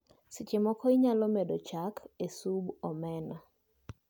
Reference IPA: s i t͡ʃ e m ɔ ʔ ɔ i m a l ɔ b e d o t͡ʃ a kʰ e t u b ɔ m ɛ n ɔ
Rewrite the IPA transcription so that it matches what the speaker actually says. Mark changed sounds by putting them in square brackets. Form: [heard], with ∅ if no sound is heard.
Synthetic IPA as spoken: s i t͡ʃ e m ɔ [k] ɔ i [ɲ] a l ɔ [m] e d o t͡ʃ a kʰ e [s] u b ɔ m ɛ n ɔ